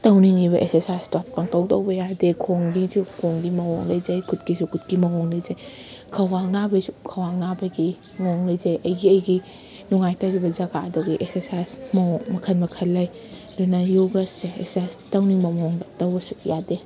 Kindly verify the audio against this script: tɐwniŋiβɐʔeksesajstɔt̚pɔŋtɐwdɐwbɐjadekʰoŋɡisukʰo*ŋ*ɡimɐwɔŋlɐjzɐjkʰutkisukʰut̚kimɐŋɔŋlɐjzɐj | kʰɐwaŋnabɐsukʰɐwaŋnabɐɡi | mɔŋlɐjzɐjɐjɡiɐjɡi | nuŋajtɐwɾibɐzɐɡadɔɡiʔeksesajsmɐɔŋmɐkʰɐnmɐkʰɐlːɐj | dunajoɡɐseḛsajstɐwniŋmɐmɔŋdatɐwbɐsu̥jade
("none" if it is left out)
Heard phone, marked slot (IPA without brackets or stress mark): ŋ